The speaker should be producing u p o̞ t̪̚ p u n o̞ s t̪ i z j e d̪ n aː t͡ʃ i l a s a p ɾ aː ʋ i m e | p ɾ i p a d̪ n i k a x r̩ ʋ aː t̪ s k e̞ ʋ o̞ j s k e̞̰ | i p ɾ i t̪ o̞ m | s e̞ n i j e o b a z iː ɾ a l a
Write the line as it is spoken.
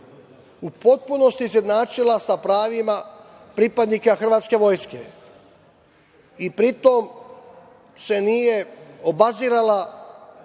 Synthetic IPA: u p o̞ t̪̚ p u n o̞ s t̪ i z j e d̪ n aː t͡ʃ i l a s a p ɾ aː ʋ i m a | p ɾ i p a d̪ n i k a x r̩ ʋ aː t̪ s k e̞ ʋ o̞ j s k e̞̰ | i p ɾ i t̪ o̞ m | s e̞ n i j e o b a z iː ɾ a l a